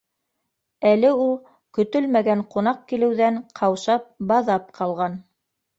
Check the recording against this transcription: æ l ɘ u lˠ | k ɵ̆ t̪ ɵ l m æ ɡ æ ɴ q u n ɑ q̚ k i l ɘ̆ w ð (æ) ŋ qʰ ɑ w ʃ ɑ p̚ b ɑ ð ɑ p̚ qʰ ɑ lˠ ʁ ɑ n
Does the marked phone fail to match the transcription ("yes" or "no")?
no